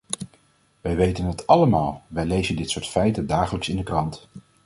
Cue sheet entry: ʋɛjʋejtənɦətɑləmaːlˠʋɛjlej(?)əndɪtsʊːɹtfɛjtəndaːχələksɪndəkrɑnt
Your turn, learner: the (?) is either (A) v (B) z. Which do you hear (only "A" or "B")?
B